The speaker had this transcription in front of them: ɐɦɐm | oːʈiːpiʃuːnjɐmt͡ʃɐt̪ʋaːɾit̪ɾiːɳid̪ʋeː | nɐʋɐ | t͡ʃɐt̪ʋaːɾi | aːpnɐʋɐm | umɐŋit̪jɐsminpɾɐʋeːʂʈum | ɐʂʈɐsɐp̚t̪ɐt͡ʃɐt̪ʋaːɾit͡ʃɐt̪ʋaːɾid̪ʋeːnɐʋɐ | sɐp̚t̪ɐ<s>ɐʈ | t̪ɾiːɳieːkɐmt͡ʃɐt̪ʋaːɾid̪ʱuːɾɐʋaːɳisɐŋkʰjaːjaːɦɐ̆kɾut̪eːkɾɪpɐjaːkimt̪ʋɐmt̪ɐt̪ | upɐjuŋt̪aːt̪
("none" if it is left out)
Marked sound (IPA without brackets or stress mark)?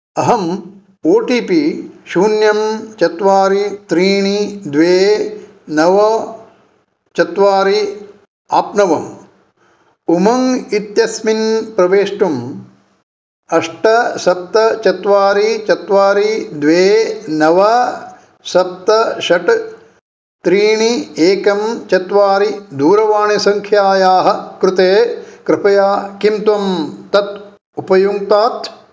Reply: ʃ